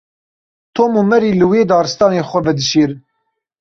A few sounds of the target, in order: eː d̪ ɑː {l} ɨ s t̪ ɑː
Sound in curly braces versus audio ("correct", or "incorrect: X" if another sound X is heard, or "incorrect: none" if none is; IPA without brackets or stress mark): incorrect: ɾ